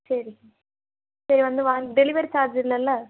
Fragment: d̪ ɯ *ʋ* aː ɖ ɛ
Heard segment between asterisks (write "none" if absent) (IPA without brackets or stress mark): ʋ